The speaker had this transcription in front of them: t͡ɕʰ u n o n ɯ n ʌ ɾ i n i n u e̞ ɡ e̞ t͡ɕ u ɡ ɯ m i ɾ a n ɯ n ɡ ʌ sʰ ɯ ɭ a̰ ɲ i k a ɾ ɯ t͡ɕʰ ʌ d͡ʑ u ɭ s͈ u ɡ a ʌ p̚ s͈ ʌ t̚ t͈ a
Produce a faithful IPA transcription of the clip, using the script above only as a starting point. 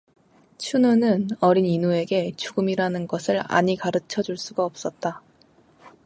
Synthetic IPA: t͡ɕʰ u n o n ɯ n ʌ ɾ i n i n u e̞ ɡ e̞ t͡ɕ u ɡ ɯ m i ɾ a n ɯ n ɡ ʌ sʰ ɯ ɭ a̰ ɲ i k a ɾ ɯ t͡ɕʰ ʌ d͡ʑ u ɭ s͈ u ɡ a ʌ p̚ s͈ ʌ t̚ t͈ a